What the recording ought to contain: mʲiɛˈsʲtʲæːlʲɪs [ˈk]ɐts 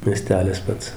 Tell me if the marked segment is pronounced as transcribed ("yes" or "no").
no